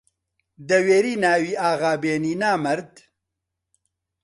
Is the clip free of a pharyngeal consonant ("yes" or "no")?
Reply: yes